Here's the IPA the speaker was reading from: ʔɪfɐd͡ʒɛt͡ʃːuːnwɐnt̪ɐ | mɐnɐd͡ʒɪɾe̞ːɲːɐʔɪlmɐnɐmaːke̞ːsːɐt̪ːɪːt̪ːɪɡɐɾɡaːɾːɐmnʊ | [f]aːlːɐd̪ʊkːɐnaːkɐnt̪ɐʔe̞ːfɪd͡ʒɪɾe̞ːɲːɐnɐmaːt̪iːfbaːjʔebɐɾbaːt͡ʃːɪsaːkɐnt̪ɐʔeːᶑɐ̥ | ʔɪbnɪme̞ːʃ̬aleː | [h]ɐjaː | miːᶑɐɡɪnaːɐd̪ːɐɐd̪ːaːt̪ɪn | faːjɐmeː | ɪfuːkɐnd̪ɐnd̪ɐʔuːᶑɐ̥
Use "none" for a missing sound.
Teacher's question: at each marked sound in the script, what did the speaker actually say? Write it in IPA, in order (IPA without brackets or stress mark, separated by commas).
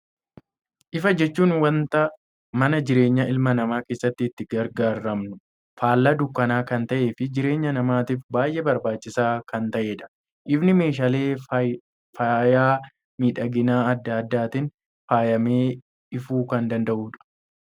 f, f